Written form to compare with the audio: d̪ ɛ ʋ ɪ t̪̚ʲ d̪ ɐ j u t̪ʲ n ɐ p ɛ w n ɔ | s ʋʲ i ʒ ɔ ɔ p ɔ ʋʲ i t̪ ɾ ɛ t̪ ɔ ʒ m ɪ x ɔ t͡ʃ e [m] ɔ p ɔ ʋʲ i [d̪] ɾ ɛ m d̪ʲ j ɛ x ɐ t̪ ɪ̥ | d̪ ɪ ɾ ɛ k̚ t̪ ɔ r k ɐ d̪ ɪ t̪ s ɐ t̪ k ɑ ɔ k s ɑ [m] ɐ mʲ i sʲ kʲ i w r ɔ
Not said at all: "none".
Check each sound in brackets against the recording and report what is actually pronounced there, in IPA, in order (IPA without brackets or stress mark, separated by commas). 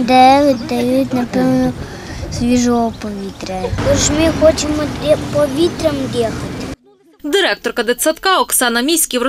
m, t̪, n